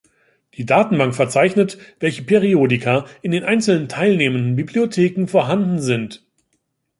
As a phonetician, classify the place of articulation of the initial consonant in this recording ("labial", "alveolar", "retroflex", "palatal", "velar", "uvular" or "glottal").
alveolar